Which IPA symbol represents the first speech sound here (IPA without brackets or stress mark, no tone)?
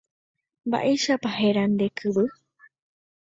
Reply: m